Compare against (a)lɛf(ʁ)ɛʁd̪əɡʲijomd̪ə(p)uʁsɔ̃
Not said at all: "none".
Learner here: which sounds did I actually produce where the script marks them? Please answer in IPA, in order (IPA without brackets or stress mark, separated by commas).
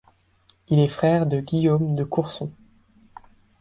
i, χ, k